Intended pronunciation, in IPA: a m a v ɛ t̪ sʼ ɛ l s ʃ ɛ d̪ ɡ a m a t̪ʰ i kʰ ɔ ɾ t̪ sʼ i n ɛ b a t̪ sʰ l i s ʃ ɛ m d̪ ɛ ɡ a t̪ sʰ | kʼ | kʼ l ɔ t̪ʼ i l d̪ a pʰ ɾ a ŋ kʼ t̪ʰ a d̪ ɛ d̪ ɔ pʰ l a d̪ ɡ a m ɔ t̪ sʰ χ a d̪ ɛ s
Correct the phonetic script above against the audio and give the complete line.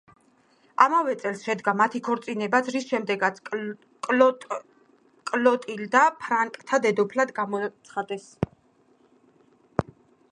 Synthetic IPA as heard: a m a v ɛ t̪ sʼ ɛ l s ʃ ɛ d̪ ɡ a m a t̪ʰ i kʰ ɔ ɾ t̪ sʼ i n ɛ b a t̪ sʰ ɾ i s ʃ ɛ m d̪ ɛ ɡ a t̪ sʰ | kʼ | kʼ l ɔ t̪ʼ i l d̪ a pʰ ɾ a ŋ kʼ t̪ʰ a d̪ ɛ d̪ ɔ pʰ l a d̪ ɡ a m ɔ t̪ sʰ χ a d̪ ɛ s